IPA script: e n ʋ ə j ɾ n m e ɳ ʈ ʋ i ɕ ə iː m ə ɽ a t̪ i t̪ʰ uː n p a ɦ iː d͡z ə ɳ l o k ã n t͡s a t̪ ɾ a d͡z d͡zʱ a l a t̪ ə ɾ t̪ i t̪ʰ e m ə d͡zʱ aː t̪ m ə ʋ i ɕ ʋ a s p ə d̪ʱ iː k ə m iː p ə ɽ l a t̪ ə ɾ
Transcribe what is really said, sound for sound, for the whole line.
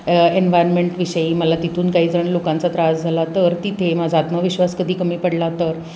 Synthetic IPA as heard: e n ʋ a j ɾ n m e ɳ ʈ ʋ i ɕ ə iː m ə l a t̪ i t̪ʰ uː n k a ɦ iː d͡z ə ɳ l o k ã n t͡s a t̪ ɾ a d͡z d͡zʱ a l a t̪ ə ɾ t̪ i t̪ʰ e m a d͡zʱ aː t̪ m ə ʋ i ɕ ʋ a s k ə d̪ʱ iː k ə m iː p ə ɽ l a t̪ ə ɾ

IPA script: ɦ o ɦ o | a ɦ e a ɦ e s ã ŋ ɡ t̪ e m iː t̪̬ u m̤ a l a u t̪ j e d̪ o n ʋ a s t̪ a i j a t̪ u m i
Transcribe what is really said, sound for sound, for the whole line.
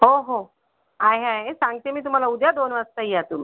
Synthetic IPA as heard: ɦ o ɦ o | a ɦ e a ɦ e s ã ŋ ɡ t̪ e m iː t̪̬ u m̤ a l a u d̪ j a d̪ o n ʋ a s t̪ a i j a t̪ u m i

